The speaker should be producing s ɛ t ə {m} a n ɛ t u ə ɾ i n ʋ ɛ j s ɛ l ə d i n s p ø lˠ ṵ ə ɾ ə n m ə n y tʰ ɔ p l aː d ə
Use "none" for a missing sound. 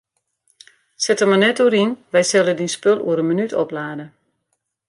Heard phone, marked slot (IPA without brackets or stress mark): m